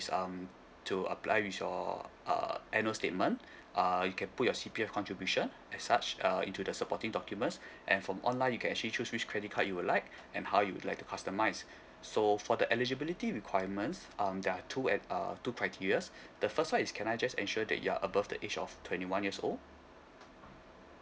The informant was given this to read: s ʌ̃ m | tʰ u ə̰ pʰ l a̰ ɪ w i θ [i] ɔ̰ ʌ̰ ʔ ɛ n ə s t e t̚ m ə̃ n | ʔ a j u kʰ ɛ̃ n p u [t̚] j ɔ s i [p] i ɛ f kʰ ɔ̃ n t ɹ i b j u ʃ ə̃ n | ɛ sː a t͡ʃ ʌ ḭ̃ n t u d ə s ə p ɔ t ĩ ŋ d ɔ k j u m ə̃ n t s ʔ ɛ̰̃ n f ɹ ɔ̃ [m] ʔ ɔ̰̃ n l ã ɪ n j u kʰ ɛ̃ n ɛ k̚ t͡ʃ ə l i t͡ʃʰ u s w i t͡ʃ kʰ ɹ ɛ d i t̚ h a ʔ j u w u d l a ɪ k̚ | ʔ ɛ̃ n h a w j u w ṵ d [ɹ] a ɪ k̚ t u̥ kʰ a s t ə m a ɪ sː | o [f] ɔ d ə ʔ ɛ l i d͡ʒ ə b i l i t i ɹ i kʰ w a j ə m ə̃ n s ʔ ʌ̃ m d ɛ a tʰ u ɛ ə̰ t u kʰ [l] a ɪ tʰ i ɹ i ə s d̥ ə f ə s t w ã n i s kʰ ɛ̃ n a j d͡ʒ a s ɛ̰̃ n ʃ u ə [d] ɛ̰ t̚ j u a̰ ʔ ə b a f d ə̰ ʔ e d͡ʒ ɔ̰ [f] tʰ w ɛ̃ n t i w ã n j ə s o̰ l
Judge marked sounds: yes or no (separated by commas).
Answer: no, yes, yes, yes, no, yes, no, yes, yes